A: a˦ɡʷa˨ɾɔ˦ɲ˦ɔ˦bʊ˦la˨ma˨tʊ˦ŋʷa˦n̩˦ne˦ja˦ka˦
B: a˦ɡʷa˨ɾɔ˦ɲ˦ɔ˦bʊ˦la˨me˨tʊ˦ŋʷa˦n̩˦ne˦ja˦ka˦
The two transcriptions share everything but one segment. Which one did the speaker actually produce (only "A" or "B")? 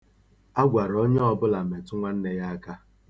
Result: B